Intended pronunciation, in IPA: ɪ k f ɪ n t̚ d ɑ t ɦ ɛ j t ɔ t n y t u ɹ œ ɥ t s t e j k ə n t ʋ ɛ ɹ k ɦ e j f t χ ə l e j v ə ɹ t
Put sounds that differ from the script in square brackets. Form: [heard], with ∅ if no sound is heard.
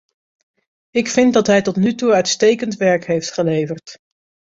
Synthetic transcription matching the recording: ɪ k f ɪ n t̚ d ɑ t ɦ ɛ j t ɔ t n y t u [∅] œ ɥ t s t e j k ə n t ʋ ɛ ɹ k ɦ e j f t χ ə l e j v ə ɹ t